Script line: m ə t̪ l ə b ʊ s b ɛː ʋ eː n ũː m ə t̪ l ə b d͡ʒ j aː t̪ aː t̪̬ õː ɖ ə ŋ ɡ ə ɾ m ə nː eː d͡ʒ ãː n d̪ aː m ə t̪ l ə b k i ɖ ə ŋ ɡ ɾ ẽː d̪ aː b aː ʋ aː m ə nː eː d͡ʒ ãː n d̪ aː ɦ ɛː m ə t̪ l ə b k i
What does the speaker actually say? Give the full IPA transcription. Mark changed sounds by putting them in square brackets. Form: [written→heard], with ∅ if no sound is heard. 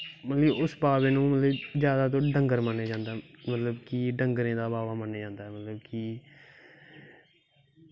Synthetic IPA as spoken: m ə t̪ l ə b ʊ s b [ɛː→aː] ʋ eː n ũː m ə t̪ l ə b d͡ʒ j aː [t̪→d̪] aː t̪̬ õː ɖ ə ŋ ɡ ə ɾ m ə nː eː d͡ʒ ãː n d̪ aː m ə t̪ l ə b k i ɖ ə ŋ ɡ ɾ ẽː d̪ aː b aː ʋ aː m ə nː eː d͡ʒ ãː n d̪ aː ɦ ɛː m ə t̪ l ə b k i